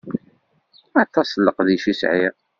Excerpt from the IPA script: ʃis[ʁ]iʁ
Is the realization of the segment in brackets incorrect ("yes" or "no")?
yes